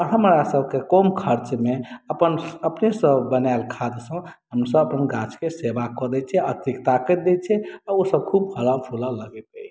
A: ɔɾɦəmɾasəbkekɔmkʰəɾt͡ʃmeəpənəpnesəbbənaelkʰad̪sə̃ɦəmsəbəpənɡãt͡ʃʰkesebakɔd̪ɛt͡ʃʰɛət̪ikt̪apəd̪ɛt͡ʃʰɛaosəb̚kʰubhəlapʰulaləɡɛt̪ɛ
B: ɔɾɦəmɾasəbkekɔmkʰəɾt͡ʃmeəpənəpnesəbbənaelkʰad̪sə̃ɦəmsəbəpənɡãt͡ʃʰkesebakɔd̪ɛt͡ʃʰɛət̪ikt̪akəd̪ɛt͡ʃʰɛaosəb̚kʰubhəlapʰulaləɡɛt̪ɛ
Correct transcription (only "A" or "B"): B